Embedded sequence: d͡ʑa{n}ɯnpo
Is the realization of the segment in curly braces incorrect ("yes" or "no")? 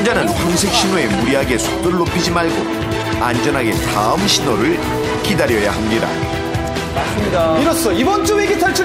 no